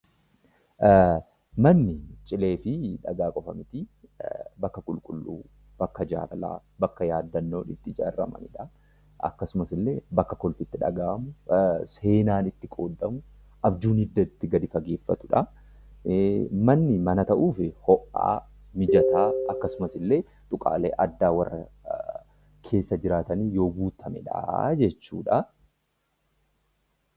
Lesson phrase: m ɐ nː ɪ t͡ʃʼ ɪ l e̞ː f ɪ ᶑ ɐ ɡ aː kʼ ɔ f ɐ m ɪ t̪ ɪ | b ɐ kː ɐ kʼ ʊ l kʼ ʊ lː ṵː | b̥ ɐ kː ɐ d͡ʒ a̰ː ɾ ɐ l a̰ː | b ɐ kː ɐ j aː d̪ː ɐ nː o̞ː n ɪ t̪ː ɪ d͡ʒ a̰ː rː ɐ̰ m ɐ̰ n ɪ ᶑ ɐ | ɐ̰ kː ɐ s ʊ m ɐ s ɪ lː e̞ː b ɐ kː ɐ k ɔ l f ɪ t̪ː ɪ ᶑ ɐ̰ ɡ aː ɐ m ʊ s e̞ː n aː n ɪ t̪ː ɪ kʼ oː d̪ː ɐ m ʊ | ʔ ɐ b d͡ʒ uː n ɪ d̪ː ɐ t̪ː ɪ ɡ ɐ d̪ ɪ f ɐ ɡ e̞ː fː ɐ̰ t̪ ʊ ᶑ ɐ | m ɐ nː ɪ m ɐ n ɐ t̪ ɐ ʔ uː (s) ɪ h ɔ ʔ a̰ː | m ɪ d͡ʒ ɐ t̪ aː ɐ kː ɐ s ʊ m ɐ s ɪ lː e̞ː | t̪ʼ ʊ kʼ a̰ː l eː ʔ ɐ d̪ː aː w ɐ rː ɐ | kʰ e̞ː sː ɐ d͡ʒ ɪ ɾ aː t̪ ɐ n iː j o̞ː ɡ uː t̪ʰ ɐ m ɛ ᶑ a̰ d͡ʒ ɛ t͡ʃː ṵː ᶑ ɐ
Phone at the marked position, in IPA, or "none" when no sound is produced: f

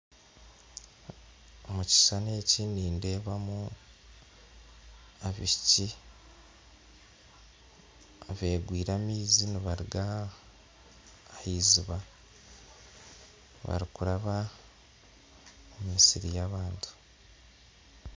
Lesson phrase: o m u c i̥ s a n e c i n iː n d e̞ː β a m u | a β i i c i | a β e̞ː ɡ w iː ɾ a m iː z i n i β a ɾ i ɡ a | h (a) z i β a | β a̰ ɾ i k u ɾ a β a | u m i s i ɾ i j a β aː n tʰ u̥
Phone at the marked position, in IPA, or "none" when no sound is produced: i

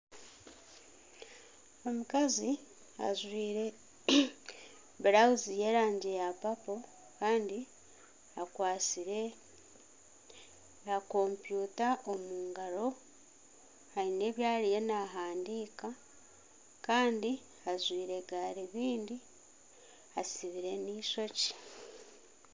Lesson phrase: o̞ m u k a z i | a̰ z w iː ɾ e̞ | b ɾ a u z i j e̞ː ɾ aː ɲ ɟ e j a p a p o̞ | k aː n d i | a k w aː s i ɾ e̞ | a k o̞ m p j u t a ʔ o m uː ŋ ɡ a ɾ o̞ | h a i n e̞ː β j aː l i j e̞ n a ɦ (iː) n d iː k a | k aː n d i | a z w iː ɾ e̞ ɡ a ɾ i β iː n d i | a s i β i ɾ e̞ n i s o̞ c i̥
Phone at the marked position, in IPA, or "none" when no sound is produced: aː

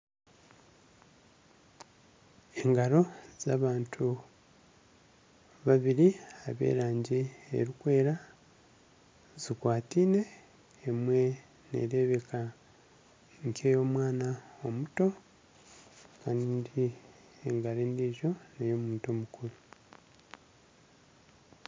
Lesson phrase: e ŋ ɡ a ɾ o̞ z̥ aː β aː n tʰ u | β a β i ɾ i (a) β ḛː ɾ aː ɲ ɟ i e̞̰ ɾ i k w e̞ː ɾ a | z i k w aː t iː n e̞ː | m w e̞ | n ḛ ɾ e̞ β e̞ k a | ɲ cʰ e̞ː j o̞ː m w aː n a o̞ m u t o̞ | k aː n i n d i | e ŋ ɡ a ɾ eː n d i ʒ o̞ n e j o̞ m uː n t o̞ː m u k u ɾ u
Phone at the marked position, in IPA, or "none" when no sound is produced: a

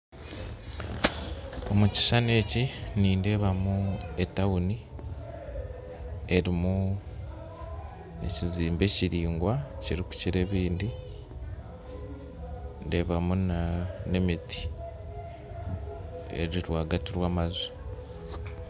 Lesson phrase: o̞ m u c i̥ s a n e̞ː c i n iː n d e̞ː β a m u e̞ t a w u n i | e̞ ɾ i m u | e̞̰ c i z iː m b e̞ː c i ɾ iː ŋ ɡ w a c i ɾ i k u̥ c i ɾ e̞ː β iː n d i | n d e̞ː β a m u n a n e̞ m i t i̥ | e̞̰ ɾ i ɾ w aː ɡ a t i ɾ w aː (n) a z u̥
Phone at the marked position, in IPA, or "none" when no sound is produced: m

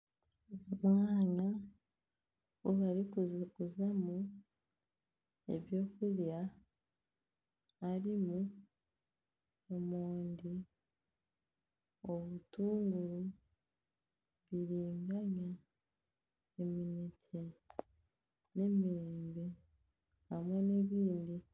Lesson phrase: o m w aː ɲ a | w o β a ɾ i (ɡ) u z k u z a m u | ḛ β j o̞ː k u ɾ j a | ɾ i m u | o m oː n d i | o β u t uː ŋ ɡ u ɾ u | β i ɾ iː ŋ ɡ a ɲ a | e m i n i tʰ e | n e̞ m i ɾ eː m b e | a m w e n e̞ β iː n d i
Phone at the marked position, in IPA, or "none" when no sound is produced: k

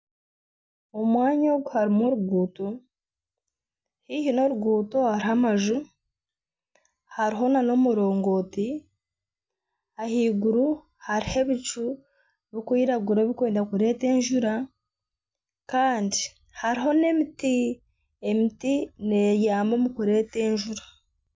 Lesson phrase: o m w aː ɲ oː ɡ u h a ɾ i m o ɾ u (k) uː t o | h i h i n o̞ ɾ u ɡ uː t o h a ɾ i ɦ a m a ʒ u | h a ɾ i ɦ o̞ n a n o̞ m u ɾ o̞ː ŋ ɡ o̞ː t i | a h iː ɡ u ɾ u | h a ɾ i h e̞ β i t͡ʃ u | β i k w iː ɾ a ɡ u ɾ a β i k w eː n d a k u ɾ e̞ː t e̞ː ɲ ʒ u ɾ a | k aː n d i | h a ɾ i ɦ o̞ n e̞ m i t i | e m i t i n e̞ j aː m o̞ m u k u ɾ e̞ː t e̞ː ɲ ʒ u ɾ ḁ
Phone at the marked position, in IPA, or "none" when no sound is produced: ɡ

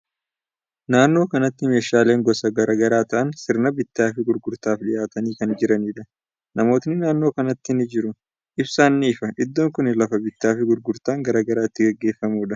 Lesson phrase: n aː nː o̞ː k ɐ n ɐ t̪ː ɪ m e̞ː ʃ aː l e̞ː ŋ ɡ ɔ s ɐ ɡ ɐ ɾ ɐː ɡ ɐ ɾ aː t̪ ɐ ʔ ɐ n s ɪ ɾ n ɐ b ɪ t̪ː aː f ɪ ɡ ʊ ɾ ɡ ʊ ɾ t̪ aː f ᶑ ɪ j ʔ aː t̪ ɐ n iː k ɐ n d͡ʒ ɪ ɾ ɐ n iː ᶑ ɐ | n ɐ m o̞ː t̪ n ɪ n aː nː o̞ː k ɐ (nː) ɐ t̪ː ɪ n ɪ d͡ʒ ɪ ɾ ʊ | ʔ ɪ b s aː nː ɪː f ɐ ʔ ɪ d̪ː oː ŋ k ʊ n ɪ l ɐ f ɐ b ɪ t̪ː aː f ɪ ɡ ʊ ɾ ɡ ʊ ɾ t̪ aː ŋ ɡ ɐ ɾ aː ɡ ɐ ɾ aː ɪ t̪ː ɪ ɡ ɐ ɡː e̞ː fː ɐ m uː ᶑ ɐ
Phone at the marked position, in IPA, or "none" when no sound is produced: n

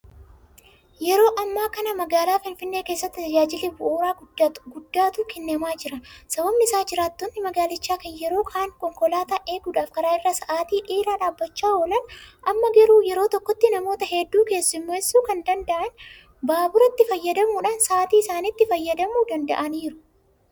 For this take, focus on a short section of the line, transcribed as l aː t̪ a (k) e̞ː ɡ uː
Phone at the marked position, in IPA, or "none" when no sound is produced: ʔ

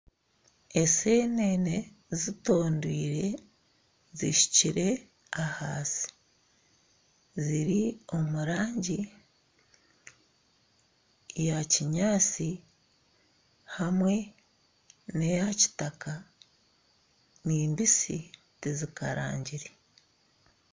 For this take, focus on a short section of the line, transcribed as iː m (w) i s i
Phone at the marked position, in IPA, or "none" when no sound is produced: b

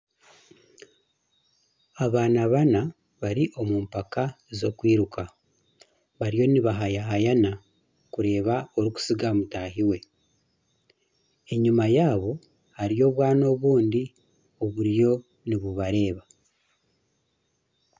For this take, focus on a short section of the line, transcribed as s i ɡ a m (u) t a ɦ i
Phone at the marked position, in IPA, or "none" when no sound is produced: u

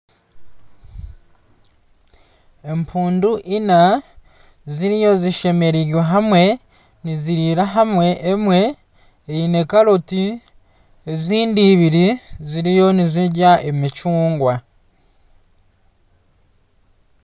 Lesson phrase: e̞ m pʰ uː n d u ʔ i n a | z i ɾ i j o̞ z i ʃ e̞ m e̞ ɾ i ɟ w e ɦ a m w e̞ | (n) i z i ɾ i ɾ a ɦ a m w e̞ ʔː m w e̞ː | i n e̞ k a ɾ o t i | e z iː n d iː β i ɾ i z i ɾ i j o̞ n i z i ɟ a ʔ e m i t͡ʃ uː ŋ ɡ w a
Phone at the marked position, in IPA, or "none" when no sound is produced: n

